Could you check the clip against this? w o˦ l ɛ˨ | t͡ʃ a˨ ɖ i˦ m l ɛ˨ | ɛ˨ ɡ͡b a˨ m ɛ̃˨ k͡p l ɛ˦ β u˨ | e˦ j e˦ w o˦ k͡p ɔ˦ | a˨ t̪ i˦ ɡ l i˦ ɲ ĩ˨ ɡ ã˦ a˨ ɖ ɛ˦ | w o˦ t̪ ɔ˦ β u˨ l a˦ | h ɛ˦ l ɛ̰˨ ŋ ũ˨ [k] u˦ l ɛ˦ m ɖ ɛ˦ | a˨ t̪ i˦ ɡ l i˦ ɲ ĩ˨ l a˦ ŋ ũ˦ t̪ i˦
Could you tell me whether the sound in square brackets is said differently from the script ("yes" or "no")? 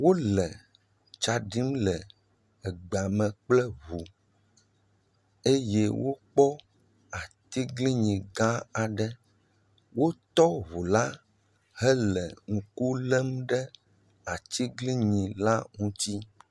no